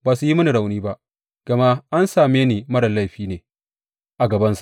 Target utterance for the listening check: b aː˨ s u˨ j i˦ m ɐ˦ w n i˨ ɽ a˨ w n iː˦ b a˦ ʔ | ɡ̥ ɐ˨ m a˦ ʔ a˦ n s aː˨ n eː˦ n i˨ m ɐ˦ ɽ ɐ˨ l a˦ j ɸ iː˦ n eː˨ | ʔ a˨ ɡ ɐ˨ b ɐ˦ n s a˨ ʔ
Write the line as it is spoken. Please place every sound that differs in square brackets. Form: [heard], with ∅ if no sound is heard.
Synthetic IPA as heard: b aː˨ s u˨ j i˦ m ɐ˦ [∅] n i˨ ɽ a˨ w n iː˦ b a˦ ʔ | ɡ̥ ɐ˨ m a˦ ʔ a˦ n s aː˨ [m] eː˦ n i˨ m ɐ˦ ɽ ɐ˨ l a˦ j ɸ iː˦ n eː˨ | ʔ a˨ ɡ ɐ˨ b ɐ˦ n s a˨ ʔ